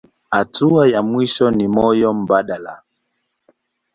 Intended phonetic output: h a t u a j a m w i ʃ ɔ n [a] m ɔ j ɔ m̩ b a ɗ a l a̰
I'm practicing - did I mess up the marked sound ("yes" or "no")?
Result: yes